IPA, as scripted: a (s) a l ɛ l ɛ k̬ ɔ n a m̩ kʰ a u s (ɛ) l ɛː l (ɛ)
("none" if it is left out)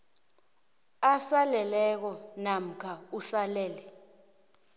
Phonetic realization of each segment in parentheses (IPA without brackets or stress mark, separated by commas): s, a, ɛ